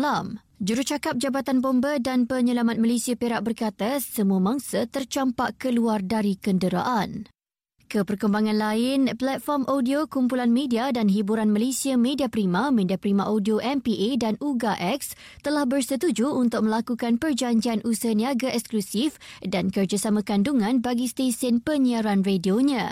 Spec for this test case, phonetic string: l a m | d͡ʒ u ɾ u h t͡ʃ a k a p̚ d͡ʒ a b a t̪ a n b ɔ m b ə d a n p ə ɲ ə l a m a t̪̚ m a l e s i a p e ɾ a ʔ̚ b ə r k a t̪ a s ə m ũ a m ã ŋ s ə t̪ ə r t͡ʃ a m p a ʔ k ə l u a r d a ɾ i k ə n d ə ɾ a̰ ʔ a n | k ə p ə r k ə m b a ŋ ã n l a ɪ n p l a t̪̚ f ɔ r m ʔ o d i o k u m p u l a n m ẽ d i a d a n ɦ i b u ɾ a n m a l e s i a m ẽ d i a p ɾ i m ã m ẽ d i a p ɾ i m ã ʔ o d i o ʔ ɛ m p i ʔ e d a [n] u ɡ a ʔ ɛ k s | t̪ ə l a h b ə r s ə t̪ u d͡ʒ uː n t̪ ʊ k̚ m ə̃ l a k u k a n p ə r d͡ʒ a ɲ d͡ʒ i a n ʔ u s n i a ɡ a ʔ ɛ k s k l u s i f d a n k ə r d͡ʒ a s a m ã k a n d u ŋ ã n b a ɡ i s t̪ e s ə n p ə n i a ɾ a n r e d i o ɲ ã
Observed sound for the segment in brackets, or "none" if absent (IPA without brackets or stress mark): n